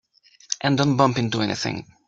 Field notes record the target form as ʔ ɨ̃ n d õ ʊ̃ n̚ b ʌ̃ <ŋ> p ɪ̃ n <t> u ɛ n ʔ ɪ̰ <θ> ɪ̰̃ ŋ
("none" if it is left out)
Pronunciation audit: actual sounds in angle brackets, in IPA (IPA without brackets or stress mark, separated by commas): m, t, θ